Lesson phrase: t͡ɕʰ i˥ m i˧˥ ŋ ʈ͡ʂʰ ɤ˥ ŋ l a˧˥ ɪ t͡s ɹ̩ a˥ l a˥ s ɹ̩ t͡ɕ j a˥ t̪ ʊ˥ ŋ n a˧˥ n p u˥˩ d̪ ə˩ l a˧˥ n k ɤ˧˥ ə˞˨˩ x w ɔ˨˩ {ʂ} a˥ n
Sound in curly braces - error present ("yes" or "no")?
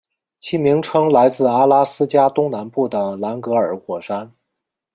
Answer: no